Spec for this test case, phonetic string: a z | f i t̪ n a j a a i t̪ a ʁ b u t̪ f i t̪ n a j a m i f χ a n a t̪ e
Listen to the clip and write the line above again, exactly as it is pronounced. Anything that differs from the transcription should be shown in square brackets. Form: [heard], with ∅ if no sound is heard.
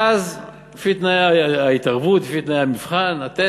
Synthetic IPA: a z | f i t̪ n a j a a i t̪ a ʁ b u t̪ f i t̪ n a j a m i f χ a n a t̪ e